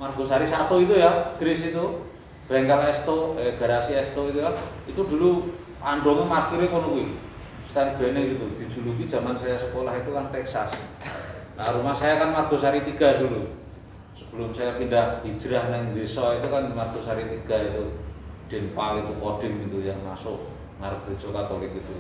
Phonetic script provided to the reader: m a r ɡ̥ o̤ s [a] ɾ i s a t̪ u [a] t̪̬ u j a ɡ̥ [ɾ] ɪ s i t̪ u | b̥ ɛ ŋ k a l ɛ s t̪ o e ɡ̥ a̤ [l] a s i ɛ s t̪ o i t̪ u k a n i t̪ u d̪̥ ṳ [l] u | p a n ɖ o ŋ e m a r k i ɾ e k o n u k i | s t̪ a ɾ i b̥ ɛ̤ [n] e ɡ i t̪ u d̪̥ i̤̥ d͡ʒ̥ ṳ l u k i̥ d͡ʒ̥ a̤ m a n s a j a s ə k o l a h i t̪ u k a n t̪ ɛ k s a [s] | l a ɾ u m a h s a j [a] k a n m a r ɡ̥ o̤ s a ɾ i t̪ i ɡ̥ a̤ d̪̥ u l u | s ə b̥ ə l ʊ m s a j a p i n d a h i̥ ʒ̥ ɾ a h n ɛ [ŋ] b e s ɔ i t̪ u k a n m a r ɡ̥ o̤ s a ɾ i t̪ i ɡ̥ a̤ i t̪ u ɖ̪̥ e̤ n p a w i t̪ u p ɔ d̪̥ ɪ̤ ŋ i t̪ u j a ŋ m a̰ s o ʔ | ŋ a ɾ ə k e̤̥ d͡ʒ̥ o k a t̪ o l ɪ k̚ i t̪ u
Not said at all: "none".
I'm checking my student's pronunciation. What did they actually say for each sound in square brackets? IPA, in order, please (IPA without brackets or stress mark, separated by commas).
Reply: a, i, ɾ, ɾ, l, n, s, a, ŋ